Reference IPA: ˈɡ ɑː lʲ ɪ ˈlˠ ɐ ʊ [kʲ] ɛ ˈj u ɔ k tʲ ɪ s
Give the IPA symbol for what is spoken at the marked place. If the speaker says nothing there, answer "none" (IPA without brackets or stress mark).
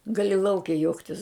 kʲ